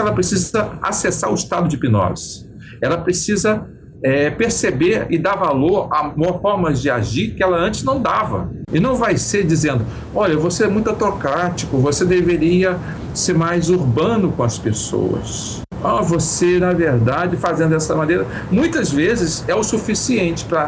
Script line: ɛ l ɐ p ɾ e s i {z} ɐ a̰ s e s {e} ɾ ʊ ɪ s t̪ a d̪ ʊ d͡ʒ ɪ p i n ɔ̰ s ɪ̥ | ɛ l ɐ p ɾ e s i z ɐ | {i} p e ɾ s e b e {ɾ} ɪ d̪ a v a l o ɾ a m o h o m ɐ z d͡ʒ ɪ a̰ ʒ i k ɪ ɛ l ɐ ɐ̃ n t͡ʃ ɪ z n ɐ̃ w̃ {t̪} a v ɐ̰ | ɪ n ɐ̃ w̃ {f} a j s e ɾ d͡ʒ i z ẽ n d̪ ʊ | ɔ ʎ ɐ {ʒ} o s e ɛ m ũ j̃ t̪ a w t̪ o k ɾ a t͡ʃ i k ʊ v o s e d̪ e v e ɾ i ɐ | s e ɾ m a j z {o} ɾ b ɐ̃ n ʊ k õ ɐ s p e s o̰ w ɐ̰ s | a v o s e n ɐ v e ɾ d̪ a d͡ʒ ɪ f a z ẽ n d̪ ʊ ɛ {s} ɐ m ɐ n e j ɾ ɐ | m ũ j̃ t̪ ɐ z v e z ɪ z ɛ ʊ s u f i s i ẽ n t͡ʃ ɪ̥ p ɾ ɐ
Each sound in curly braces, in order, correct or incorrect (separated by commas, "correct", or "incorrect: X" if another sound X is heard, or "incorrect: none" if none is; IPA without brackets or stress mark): correct, incorrect: a, incorrect: ɛ, correct, incorrect: d̪, incorrect: v, incorrect: v, incorrect: u, correct